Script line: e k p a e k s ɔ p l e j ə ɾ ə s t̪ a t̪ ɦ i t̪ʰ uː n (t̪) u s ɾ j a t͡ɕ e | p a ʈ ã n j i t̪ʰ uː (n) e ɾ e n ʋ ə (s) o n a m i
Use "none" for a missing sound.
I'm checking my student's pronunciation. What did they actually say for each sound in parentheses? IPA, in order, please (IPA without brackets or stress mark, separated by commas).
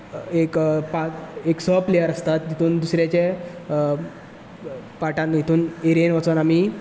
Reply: d̪, n, t͡s